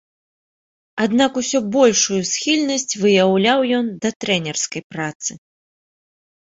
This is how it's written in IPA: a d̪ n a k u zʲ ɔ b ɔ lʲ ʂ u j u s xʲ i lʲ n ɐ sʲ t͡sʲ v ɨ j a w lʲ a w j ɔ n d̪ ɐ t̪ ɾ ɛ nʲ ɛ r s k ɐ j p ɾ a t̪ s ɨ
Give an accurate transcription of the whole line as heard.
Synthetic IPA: a d̪ n a k u sʲ ɔ b ɔ lʲ ʂ u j u s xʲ i lʲ n ɐ sʲ t͡sʲ v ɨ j a w lʲ a w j ɔ n d̪ ɐ t̪ ɾ ɛ nʲ ɛ r s k ɐ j p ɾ a t̪ s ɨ